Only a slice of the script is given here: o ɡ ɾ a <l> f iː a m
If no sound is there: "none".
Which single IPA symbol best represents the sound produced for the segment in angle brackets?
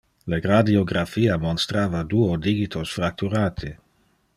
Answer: none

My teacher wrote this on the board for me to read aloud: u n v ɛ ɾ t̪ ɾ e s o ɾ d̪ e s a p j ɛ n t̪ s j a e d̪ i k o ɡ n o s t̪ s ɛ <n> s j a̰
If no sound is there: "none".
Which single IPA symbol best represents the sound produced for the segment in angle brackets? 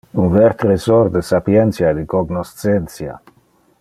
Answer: n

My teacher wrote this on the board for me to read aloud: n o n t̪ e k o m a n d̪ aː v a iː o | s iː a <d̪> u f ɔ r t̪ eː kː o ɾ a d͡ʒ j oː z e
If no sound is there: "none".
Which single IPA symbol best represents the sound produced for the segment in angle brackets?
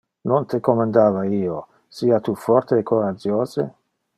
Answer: t̪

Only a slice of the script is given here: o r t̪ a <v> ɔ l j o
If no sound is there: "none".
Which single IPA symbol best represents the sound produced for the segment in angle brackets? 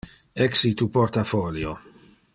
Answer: f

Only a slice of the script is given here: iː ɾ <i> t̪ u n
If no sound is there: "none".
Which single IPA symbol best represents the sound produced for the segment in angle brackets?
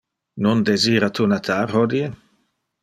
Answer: a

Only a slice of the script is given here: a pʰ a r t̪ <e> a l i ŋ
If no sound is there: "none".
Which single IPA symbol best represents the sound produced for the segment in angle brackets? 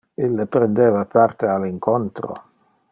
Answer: e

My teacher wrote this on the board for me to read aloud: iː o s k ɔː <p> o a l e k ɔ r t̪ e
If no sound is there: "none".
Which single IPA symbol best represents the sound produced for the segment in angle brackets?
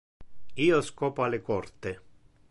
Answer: p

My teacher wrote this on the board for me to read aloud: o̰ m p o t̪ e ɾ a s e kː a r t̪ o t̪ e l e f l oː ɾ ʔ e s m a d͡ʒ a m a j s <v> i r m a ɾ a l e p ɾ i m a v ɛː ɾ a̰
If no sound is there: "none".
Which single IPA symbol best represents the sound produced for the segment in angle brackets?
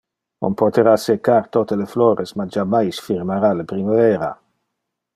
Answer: f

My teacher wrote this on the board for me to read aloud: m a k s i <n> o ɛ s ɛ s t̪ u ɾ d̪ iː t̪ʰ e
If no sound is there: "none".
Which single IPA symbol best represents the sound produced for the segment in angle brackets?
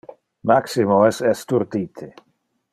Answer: m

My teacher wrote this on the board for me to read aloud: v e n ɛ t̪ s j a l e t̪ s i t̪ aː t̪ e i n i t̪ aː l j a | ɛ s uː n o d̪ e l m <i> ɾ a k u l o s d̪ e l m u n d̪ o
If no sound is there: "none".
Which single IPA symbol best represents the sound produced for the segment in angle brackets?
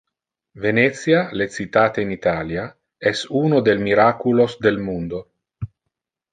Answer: i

